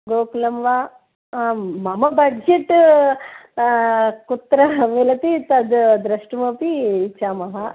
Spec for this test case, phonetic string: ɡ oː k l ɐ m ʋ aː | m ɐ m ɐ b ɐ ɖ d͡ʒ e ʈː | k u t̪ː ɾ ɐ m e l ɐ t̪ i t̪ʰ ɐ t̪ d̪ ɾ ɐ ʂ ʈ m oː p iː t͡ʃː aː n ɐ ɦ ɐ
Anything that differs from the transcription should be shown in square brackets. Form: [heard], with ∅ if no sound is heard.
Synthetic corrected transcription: ɡ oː k l ɐ m ʋ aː | m ɐ m ɐ b ɐ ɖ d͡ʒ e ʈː | k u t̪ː ɾ ɐ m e l ɐ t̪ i [t̪] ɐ [d̪] d̪ ɾ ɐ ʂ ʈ m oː p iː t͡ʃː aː [m] ɐ ɦ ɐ